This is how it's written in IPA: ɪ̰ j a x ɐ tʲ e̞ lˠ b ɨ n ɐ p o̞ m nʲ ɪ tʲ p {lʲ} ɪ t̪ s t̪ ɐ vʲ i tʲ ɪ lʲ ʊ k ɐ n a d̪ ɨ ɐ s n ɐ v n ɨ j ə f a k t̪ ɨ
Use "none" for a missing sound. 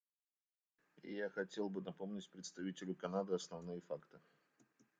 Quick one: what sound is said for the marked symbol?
ɾʲ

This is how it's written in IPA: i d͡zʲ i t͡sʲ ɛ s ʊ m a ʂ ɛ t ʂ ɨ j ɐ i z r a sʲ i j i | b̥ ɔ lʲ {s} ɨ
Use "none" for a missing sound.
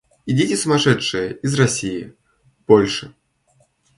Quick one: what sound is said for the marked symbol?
ʂ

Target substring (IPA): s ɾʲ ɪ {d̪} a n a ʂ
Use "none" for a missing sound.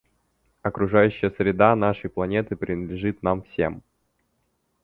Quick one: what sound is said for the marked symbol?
d̪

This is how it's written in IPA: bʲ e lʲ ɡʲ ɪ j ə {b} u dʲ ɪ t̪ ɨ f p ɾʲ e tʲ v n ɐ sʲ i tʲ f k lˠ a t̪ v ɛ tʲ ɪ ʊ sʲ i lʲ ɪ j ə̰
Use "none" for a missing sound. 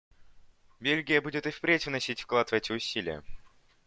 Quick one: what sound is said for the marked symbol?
b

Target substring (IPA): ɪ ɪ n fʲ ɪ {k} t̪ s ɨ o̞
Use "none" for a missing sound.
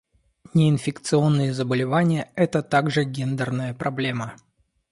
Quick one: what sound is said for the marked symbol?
k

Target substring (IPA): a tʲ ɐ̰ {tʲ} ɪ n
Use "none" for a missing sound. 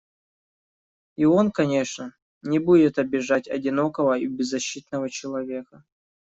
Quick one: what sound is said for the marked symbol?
dʲ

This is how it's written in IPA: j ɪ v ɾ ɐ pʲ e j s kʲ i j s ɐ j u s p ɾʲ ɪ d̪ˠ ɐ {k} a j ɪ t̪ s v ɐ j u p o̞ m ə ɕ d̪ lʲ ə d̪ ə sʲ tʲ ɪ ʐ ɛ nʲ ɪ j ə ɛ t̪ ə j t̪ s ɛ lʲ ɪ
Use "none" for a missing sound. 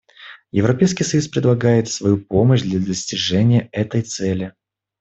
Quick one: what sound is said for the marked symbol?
ɡ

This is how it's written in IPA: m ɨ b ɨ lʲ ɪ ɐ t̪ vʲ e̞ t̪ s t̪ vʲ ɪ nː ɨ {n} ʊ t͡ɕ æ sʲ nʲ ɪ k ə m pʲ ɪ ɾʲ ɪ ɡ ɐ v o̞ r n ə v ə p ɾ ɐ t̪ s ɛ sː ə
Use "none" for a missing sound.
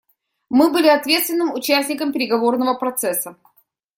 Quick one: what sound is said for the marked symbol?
m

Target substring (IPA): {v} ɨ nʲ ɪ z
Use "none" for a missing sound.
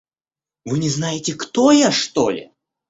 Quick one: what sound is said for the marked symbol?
v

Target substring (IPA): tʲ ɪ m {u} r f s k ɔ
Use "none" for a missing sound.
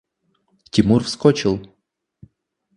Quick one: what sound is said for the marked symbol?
u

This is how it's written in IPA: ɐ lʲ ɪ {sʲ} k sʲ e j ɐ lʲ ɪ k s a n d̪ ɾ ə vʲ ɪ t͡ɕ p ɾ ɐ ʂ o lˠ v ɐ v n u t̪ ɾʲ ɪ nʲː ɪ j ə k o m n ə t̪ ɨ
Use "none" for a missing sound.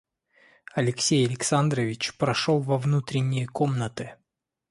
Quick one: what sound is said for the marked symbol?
none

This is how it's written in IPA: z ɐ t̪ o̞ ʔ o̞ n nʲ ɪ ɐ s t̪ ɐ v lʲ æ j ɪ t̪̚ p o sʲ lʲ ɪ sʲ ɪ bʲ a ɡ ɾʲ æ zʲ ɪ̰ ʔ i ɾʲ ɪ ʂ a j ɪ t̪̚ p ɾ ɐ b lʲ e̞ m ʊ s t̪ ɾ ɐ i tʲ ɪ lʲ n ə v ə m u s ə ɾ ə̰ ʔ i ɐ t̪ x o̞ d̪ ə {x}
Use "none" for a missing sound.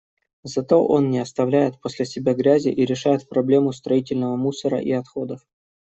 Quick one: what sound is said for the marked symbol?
f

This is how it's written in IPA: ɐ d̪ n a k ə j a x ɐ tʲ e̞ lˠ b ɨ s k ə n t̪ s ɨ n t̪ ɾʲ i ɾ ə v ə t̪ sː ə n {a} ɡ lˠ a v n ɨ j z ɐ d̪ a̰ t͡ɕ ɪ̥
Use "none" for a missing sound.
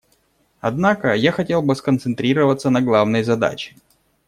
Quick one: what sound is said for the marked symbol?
ɐ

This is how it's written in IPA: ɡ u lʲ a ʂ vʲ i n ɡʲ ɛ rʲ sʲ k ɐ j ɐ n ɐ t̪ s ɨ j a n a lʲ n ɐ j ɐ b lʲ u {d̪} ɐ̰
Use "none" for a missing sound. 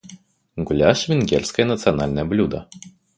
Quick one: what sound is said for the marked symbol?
d̪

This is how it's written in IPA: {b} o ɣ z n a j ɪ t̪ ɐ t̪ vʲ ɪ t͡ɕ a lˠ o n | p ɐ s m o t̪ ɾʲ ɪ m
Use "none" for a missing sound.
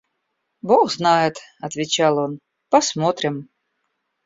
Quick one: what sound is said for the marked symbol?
b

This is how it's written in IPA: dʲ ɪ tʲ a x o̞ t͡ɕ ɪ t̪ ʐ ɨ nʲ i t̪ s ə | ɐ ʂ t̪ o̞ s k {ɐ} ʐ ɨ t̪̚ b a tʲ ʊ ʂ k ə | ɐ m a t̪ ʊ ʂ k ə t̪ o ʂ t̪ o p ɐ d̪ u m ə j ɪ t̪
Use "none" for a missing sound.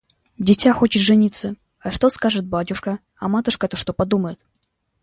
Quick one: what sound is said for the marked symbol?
a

